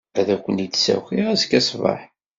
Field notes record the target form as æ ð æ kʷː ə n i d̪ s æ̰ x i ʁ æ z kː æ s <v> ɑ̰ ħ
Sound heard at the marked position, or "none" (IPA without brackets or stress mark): v